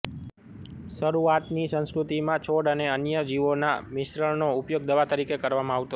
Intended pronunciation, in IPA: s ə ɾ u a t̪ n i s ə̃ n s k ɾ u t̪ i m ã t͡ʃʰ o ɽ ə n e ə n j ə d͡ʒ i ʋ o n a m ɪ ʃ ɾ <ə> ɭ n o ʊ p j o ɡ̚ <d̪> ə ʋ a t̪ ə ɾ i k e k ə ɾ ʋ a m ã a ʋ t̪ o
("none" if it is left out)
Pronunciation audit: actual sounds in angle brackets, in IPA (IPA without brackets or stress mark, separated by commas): ə, d̪